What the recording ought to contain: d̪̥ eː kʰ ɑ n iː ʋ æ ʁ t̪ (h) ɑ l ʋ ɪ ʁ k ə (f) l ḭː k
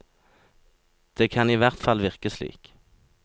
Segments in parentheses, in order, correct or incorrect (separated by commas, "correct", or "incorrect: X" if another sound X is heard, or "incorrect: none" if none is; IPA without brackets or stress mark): incorrect: f, incorrect: s